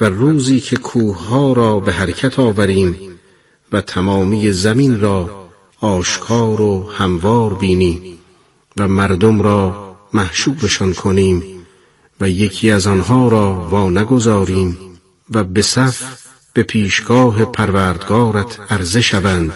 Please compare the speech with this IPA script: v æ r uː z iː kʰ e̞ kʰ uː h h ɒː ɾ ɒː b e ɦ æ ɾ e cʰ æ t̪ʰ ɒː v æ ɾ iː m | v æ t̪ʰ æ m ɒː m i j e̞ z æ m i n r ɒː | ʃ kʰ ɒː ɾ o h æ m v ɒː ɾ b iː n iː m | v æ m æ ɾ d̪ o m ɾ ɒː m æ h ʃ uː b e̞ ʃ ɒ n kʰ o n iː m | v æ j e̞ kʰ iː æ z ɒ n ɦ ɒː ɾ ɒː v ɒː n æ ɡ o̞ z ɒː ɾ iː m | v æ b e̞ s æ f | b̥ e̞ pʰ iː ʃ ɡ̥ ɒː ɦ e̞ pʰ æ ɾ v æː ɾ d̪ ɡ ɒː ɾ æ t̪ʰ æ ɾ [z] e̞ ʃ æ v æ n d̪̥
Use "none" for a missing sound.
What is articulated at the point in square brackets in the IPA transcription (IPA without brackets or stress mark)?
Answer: z